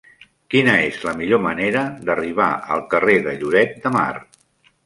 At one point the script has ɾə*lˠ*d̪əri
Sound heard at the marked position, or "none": none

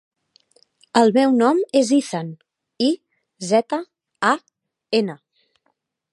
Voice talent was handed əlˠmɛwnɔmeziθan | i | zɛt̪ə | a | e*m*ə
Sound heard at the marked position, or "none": n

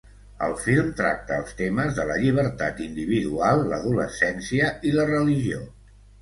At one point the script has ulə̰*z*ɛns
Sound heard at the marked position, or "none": s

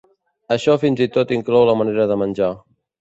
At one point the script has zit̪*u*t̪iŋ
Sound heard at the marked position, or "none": o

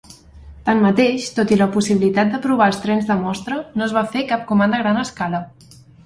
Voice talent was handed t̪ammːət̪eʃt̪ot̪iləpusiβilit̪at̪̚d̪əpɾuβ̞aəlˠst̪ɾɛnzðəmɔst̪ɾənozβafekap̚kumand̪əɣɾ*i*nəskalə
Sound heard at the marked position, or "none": a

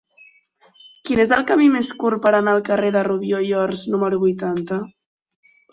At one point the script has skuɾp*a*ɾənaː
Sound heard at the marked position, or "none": ə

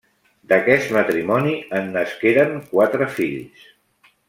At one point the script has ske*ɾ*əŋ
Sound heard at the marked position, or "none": ɾ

